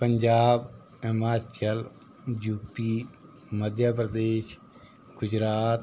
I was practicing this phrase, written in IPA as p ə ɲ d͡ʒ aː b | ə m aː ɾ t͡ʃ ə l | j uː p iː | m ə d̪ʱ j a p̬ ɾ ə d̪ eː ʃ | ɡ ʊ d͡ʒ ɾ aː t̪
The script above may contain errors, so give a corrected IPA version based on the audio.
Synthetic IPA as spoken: p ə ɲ d͡ʒ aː b | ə m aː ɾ t͡ʃ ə l | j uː p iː | m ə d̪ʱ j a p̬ ɾ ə d̪ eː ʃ | ɡ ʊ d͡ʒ ɾ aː t̪